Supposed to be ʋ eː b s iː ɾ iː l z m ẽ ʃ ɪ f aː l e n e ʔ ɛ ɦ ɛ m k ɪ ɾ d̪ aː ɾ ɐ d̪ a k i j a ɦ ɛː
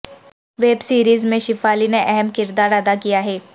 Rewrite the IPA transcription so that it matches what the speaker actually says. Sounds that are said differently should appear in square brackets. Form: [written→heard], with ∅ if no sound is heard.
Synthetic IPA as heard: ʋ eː b s iː ɾ iː [l→∅] z m ẽ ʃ ɪ f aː l [e→i] n e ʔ ɛ ɦ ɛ m k ɪ ɾ d̪ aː ɾ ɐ d̪ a k i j a ɦ ɛː